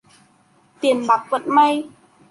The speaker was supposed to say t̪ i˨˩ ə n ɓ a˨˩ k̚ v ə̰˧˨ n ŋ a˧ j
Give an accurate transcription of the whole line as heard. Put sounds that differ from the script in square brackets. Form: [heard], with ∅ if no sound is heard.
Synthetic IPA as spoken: t̪ i˨˩ ə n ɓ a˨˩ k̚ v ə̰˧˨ n [m] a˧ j